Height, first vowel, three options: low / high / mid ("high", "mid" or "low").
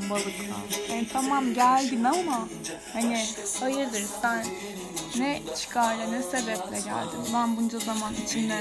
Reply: low